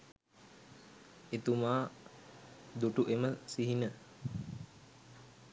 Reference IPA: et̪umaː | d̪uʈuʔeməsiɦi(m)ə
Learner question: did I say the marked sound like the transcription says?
no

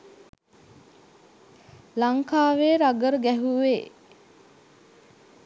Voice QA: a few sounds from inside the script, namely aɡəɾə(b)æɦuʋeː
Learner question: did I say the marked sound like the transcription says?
no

